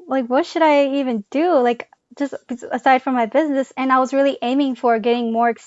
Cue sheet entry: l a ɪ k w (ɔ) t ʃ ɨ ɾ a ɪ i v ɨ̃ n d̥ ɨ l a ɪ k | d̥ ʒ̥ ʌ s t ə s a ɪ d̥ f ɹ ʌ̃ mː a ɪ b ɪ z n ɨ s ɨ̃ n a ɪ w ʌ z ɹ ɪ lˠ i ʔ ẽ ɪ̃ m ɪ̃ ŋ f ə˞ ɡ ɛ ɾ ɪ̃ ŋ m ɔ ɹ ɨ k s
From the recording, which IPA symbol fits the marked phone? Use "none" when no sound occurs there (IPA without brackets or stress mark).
ʌ